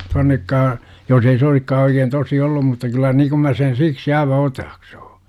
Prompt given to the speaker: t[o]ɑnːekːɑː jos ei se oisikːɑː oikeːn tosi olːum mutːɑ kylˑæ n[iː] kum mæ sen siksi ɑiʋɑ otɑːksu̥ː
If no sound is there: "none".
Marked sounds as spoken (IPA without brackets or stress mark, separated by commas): u, iː